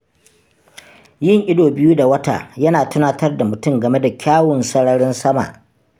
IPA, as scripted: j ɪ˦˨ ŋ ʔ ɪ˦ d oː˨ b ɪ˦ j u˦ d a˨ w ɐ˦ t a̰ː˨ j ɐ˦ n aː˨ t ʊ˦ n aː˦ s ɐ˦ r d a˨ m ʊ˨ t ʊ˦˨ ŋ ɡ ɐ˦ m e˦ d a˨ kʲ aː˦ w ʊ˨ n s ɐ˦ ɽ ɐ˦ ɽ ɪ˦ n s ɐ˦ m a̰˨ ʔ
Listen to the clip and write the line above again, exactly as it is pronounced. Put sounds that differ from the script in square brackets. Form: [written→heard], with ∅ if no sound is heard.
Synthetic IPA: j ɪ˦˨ ŋ ʔ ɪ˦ d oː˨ b ɪ˦ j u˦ d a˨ w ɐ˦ t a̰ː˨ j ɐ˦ n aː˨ t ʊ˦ n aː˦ [s→t] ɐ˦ r d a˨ m ʊ˨ t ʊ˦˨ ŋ ɡ [ɐ˦→ɐ˨] m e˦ d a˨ kʲ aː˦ w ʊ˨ n s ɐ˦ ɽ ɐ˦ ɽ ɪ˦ n s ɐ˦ m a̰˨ ʔ